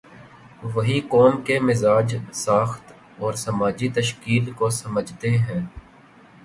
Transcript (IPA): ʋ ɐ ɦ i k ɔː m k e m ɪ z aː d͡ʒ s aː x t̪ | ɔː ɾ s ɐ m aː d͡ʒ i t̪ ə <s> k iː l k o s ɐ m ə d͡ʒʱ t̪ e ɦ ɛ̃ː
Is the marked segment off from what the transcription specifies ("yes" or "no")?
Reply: yes